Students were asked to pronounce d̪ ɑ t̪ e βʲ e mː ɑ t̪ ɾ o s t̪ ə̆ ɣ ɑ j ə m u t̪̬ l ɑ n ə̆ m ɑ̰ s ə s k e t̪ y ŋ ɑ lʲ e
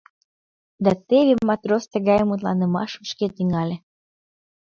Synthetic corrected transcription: d̪ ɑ t̪ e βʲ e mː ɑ t̪ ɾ o s t̪ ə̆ ɣ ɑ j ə m u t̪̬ l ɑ n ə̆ m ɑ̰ ʃ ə ʃ k e t̪ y ŋ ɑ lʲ e